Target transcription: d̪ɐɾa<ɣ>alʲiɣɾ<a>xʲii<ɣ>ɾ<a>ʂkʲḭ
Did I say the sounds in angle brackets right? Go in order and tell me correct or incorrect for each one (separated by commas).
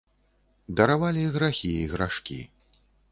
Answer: incorrect, correct, correct, correct